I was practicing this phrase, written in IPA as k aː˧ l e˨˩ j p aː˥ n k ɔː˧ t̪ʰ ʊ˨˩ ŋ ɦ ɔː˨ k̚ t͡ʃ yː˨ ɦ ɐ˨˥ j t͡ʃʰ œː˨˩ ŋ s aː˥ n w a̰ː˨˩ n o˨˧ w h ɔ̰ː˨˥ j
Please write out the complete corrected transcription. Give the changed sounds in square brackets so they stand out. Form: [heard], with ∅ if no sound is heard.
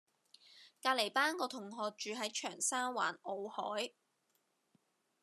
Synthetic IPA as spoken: k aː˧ l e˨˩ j p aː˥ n k ɔː˧ t̪ʰ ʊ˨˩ ŋ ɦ ɔː˨ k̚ t͡ʃ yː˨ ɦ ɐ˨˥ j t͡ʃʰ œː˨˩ ŋ s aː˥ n w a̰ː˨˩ n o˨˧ w h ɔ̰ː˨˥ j